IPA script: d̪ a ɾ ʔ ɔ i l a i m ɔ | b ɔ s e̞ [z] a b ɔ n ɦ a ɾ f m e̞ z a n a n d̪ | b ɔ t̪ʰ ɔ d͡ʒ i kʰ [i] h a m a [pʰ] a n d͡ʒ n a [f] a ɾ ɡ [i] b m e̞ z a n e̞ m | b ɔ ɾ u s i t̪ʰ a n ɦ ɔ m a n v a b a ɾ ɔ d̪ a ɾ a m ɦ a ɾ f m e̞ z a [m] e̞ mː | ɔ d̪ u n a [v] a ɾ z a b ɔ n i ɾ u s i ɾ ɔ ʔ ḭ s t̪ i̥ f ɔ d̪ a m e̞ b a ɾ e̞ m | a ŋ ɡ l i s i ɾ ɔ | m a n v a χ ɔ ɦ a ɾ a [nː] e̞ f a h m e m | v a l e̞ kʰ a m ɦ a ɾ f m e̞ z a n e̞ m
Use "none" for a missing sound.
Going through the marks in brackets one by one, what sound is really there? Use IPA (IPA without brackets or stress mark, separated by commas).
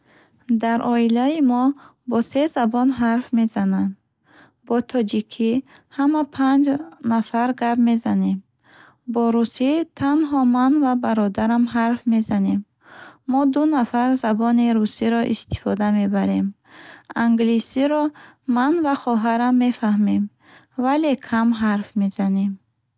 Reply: z, i, pʰ, f, a, n, f, mː